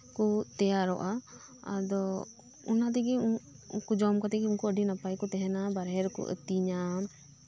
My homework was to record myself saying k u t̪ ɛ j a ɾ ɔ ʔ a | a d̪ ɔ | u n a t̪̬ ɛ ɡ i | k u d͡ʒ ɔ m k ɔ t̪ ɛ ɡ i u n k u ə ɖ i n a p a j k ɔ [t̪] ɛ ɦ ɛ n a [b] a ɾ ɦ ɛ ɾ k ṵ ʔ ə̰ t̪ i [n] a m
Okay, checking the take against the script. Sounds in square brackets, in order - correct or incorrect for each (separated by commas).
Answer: correct, correct, incorrect